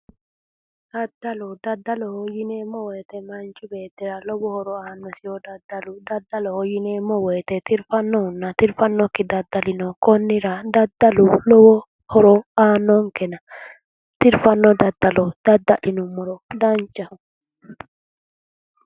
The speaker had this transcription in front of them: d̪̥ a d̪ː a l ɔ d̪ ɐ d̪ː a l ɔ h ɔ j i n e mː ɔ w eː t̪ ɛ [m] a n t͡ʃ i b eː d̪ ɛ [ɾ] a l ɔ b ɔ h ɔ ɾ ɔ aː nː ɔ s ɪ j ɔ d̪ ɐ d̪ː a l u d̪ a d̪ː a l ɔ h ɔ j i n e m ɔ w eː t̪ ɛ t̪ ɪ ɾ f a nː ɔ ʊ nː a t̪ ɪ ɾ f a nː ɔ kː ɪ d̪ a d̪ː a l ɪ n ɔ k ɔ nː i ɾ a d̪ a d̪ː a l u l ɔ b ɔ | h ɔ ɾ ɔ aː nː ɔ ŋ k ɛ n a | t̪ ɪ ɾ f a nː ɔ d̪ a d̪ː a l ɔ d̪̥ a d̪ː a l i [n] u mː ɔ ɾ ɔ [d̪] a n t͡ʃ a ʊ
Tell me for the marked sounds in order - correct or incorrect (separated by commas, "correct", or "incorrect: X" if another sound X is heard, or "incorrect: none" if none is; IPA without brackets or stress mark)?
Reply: correct, correct, correct, correct